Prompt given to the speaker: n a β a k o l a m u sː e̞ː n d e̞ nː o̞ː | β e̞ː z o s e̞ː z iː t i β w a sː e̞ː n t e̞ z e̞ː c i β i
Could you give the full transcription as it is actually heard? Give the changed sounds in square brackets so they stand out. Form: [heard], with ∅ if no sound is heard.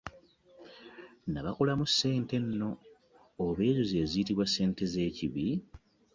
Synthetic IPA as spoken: n a β a k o l a m u sː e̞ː n [t] e̞ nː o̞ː | β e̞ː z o [z] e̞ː z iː t i β w a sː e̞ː n t e̞ z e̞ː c i β i